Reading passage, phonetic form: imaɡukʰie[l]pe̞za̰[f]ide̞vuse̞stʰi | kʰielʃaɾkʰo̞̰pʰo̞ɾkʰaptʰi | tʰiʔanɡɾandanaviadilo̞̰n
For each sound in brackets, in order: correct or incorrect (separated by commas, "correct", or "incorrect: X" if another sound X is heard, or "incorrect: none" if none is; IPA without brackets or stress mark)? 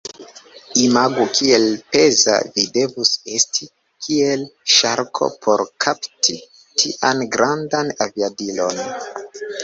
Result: correct, incorrect: v